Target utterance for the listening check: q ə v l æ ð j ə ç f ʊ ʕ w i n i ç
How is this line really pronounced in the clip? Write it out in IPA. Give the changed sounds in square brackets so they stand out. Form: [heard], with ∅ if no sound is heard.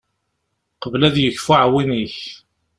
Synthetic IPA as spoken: q ə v l æ ð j ə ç f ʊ ʕ w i n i ç